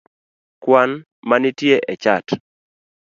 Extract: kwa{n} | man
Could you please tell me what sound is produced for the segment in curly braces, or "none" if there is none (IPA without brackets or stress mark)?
n